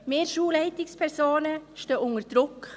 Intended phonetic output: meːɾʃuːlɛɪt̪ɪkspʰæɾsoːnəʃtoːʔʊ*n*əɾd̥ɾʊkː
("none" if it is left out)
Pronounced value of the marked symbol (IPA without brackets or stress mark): ŋ